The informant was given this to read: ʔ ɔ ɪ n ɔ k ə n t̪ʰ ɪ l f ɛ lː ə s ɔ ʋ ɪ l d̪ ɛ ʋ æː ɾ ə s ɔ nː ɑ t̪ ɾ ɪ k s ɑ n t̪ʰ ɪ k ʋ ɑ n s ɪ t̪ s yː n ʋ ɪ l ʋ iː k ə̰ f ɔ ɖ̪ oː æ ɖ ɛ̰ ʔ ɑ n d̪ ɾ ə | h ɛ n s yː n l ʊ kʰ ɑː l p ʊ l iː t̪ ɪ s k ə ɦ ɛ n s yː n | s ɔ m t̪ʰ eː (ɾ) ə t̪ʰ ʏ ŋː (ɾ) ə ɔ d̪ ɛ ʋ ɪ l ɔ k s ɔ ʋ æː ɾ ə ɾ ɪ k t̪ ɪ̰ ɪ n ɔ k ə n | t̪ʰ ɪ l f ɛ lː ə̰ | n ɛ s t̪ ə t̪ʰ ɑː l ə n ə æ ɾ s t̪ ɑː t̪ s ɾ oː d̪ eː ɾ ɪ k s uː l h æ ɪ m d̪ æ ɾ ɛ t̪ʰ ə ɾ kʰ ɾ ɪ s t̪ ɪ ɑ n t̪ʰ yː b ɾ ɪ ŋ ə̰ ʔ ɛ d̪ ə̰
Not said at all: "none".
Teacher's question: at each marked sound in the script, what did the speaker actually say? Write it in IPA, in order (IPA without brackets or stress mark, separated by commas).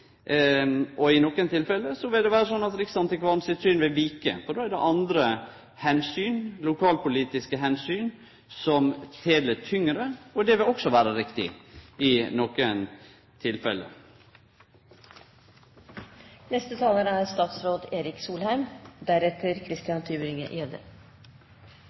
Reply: l, ɾ